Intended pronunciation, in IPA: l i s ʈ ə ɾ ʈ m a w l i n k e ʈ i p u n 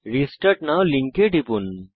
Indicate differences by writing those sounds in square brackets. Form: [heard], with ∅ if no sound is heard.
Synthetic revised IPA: [ɾ] i s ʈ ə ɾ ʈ [n] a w l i [ŋ] k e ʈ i p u n